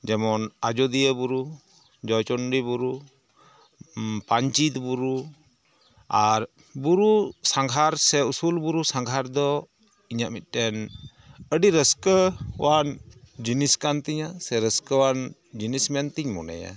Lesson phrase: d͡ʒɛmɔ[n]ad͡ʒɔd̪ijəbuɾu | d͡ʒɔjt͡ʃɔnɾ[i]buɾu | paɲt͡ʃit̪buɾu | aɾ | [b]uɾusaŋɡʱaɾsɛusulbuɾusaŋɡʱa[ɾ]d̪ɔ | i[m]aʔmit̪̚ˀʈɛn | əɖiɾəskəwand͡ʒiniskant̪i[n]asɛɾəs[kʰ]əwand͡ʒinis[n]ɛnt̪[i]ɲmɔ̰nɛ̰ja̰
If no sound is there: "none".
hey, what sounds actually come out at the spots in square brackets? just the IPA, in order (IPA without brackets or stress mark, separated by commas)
n, i, b, ɾ, ɲ, ɲ, k, m, i